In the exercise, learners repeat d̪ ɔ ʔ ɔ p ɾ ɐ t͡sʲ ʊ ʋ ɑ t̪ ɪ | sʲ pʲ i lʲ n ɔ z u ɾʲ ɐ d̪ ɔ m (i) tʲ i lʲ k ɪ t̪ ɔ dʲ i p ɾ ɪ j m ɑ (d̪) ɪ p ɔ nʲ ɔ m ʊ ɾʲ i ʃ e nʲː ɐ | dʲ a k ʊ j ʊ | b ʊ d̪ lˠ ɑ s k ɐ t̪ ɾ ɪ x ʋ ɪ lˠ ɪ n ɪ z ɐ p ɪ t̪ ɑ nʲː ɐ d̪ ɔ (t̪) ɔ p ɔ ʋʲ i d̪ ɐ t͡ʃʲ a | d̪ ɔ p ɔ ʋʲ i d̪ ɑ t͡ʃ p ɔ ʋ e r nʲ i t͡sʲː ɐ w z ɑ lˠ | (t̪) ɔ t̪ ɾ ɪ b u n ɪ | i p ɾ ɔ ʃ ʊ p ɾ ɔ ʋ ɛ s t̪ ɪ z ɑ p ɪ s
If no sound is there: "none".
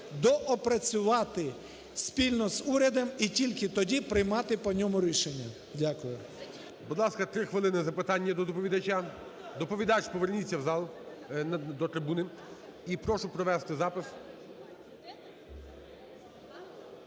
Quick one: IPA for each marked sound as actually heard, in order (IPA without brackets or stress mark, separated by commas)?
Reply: i, t̪, d̪, d̪